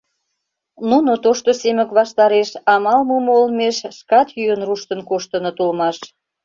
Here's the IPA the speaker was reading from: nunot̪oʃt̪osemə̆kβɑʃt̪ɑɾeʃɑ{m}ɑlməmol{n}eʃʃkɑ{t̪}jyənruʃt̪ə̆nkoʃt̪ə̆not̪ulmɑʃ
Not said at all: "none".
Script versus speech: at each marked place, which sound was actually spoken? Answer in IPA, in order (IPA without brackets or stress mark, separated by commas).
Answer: m, m, t̪